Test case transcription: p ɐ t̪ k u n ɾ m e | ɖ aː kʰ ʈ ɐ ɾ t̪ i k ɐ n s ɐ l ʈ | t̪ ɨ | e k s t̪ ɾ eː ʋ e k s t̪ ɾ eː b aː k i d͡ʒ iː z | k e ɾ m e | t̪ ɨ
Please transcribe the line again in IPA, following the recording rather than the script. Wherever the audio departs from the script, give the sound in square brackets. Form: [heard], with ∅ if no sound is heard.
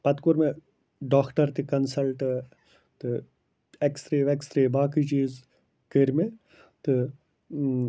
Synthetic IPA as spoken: p ɐ t̪ k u [∅] ɾ m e | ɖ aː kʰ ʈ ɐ ɾ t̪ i k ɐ n s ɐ l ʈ | t̪ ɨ | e k s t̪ ɾ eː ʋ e k s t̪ ɾ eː b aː k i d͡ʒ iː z | k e ɾ m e | t̪ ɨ